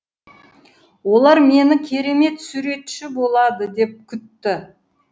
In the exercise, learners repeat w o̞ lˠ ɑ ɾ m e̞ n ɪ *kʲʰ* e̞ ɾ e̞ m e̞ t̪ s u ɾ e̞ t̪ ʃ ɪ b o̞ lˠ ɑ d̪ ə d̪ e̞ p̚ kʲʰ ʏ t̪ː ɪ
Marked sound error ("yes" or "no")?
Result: no